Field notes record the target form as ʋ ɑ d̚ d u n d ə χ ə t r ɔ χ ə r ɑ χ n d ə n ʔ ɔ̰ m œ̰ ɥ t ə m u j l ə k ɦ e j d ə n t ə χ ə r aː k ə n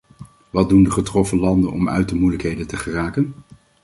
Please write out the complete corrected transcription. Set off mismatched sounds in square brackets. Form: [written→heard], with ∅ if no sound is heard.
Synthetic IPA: ʋ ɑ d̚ d u n d ə χ ə t r ɔ [χ→f] ə [r→l] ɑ [χ→∅] n d ə n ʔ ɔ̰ m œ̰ ɥ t ə m u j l ə k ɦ e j d ə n t ə χ ə r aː k ə n

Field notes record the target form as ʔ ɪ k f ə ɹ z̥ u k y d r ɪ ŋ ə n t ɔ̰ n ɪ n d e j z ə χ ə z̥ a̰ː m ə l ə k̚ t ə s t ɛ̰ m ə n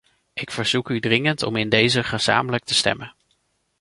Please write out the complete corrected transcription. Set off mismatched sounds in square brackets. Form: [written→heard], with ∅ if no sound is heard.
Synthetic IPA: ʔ ɪ k f ə ɹ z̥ u k y d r ɪ ŋ ə n t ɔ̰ [n→m] ɪ n d e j z ə χ ə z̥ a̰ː m ə l ə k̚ t ə s t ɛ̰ m ə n

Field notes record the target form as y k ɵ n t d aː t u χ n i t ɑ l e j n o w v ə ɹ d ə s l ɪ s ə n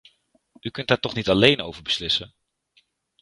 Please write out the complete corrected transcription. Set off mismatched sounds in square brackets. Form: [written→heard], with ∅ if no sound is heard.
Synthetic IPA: y k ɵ n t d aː t [u→ɔ] χ n i t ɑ l e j n o w v ə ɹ [d→b] ə s l ɪ s ə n

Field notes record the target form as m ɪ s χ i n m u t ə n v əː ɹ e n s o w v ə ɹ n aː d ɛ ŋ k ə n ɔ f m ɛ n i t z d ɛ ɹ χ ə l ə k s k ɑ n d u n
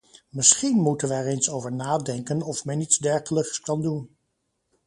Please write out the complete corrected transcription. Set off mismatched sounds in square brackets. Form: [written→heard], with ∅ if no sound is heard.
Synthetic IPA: m ɪ s χ i n m u t ə n [v→ʋ] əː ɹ e n s o w v ə ɹ n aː d ɛ ŋ k ə n ɔ f m ɛ n i t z d ɛ ɹ χ ə l ə k s k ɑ n d u n

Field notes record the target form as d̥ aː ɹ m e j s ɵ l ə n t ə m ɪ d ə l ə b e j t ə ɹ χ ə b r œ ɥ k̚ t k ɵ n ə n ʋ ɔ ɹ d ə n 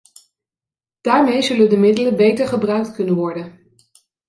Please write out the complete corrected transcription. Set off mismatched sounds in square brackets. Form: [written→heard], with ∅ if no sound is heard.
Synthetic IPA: d̥ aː ɹ m e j [s→z] ɵ l ə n [t→d] ə m ɪ d ə l ə b e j t ə ɹ χ ə b r œ ɥ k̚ t k ɵ n ə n ʋ ɔ ɹ d ə n

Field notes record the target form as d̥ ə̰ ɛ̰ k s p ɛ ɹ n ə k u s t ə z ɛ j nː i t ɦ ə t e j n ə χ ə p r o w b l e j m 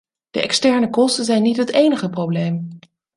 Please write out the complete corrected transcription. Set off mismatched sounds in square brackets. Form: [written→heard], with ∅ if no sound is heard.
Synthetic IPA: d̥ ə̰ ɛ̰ k s [p→t] ɛ ɹ n ə k [u→ɔ] s t ə z ɛ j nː i t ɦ ə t e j n ə χ ə p r o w b l e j m

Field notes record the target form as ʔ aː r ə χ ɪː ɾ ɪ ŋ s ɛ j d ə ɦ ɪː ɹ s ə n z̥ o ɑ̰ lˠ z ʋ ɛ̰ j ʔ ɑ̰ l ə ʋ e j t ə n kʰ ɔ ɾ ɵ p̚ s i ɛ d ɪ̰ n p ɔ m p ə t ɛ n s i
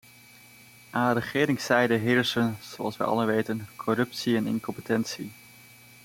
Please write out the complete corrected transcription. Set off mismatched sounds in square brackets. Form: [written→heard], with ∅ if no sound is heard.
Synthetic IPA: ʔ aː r ə χ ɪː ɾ ɪ ŋ s ɛ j d ə ɦ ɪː ɹ s ə n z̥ o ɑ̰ lˠ [z→s] ʋ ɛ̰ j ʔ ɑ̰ l ə ʋ e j t ə n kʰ ɔ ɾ ɵ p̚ s i ɛ [d→n] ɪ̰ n [p→k] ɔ m p ə t ɛ n s i

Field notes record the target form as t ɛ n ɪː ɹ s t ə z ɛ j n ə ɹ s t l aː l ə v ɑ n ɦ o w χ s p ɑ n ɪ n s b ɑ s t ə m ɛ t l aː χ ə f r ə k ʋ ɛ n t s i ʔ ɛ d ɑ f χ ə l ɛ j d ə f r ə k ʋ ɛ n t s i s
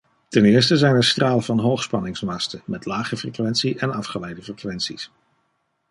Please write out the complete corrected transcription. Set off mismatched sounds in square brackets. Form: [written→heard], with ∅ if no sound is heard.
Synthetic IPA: t ɛ n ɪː ɹ s t ə z ɛ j n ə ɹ s t [l→r] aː l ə v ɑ n ɦ o w χ s p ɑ n ɪ [n→ŋ] s [b→m] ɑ s t ə m ɛ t l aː χ ə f r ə k ʋ ɛ n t s i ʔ ɛ [d→n] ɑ f χ ə l ɛ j d ə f r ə k ʋ ɛ n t s i s

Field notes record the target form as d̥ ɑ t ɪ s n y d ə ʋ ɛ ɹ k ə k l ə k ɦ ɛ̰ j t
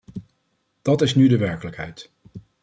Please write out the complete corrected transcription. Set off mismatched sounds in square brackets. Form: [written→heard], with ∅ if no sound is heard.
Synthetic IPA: d̥ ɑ t ɪ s n y d ə ʋ ɛ ɹ k ə [k→∅] l ə k ɦ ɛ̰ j t

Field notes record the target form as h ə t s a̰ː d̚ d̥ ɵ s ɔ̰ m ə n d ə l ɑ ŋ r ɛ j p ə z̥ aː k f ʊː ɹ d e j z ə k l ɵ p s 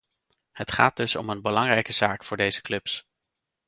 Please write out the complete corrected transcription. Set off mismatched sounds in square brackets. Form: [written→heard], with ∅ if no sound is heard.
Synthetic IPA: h ə t [s→χ] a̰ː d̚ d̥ ɵ s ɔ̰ m ə n [d→b] ə l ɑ ŋ r ɛ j [p→k] ə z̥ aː k f ʊː ɹ d e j z ə k l ɵ p s

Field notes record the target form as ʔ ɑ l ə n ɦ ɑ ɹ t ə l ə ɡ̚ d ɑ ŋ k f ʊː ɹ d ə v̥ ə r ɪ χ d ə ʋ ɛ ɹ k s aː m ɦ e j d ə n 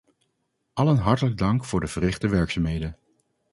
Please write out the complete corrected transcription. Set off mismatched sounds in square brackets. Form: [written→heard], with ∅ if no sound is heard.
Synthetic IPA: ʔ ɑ l ə n ɦ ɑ ɹ t ə l ə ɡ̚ d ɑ ŋ k f ʊː ɹ d ə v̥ ə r ɪ χ [d→t] ə ʋ ɛ ɹ k s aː m ɦ e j d ə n

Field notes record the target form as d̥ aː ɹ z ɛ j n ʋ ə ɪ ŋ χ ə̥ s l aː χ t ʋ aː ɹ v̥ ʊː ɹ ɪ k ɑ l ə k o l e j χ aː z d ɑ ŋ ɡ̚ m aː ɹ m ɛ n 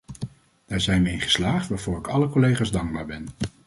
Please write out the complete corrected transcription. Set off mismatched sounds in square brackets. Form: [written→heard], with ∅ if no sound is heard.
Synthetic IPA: d̥ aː ɹ z ɛ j n ʋ ə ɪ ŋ χ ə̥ s l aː χ t ʋ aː ɹ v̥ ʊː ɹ ɪ k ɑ l ə k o l e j χ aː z d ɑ ŋ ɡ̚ [m→b] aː ɹ [m→b] ɛ n

